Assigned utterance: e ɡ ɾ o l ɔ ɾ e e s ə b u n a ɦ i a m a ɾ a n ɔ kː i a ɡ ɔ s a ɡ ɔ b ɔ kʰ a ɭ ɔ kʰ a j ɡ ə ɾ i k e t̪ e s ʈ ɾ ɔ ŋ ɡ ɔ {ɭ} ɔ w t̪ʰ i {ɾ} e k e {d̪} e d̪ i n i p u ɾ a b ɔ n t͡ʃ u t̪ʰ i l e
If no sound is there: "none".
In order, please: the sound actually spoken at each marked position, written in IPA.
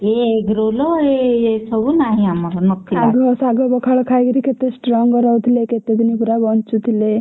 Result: ɾ, l, t̪

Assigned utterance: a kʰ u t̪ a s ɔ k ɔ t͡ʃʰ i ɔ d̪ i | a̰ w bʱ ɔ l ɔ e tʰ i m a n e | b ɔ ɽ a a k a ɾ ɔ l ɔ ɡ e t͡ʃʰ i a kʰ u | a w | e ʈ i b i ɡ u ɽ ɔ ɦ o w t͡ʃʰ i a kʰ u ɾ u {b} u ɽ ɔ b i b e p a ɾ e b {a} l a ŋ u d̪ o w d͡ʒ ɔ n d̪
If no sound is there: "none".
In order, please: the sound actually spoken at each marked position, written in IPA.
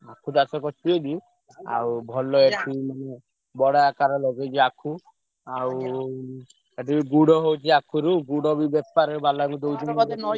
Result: ɡ, a

